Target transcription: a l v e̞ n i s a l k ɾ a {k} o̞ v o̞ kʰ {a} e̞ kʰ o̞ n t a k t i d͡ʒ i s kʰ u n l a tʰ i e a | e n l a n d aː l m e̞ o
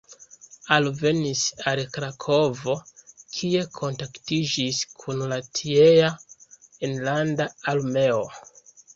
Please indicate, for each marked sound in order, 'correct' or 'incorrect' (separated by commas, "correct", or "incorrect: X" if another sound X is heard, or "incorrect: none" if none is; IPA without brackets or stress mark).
incorrect: kʰ, incorrect: i